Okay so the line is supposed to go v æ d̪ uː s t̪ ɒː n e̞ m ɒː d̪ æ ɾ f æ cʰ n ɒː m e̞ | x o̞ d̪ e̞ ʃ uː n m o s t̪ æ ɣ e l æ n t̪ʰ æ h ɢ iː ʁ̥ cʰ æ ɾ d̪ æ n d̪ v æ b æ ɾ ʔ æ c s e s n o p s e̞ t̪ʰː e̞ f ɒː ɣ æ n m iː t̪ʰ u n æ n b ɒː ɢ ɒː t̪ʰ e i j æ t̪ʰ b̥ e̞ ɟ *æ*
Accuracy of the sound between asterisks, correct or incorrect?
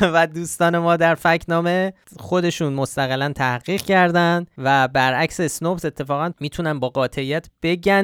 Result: correct